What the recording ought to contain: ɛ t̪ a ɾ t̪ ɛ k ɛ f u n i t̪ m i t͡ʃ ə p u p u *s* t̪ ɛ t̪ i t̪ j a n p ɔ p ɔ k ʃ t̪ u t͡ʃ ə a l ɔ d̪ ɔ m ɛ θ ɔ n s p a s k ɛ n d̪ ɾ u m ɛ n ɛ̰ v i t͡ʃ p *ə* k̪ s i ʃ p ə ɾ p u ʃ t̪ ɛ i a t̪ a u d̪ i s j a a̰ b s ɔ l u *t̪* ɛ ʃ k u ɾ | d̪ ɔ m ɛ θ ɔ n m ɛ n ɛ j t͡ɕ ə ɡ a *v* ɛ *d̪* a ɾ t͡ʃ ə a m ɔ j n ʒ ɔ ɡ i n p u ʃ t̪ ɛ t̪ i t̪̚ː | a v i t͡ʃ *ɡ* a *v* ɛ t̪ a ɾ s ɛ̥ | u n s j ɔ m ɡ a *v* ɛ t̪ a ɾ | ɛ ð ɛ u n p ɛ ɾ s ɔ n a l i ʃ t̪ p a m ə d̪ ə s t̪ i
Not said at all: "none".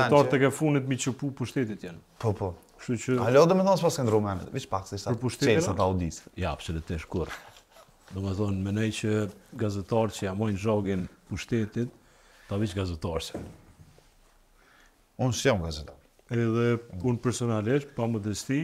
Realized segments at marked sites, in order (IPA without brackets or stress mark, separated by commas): ʃ, a, t̪, z, t̪, ɡ, z, z